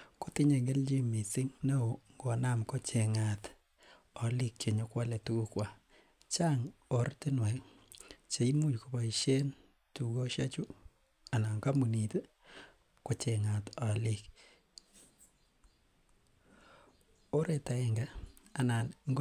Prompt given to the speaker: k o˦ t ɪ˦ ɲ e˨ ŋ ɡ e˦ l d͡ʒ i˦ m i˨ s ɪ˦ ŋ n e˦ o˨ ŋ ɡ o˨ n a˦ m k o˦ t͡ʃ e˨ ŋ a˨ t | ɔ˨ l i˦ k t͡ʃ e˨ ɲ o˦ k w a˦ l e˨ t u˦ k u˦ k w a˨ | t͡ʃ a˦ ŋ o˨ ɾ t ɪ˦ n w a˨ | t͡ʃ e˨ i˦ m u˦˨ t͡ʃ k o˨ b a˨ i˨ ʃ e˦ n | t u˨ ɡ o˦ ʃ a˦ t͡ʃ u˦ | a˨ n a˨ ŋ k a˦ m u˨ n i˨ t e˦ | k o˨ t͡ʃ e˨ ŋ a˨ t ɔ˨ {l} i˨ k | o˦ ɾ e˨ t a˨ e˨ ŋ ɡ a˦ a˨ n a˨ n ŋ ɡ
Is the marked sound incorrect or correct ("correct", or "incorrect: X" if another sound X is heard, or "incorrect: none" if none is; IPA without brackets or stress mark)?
correct